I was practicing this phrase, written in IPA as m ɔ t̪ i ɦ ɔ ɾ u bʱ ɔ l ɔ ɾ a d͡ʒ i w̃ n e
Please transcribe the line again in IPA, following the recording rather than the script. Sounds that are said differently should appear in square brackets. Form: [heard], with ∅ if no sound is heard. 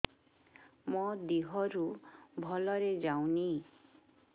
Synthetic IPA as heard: m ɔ [d̪] i ɦ ɔ ɾ u bʱ ɔ l ɔ ɾ [e] d͡ʒ [a] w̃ n [i]